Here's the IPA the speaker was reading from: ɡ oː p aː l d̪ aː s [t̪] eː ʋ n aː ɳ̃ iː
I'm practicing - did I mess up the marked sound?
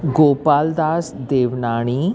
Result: yes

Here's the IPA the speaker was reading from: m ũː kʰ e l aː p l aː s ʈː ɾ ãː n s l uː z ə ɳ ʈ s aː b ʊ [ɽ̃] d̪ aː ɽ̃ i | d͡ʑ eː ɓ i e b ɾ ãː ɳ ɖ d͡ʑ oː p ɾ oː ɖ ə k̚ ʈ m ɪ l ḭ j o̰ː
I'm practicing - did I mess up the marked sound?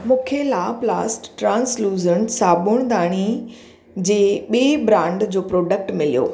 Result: no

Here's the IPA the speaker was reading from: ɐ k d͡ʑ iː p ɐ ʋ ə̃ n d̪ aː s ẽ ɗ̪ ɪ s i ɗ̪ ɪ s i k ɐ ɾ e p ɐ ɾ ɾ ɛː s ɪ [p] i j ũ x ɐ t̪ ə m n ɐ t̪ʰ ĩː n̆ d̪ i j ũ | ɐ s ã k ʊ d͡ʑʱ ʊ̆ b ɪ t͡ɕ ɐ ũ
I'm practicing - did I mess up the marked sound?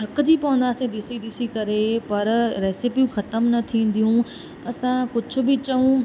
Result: no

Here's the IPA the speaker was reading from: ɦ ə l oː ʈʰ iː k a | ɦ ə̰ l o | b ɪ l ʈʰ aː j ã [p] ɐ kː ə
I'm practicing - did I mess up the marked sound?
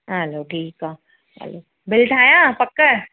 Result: no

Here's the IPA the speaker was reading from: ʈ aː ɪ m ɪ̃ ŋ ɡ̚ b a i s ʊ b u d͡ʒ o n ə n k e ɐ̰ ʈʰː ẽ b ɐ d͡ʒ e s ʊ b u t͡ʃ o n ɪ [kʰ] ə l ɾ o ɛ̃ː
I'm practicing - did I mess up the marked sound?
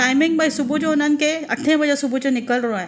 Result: yes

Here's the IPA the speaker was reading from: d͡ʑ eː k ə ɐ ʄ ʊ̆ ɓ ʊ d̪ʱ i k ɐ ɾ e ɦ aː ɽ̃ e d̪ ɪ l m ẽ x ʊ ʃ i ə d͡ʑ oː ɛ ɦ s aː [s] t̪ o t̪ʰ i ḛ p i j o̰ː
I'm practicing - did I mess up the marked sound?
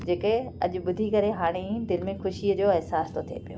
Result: no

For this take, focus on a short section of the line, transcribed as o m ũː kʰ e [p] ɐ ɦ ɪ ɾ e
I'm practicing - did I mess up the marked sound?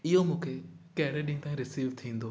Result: yes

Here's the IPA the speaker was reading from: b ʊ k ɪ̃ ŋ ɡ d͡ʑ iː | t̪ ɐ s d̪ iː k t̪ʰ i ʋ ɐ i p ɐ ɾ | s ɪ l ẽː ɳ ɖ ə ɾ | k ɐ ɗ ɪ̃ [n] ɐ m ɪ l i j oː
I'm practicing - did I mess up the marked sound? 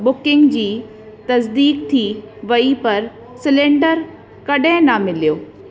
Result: no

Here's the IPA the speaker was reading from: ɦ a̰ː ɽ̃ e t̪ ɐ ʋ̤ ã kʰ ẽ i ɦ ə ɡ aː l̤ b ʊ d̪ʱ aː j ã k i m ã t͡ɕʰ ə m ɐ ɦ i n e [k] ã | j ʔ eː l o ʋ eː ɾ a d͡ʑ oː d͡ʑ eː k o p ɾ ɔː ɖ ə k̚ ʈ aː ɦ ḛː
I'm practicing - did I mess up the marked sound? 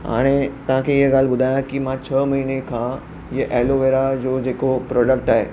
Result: yes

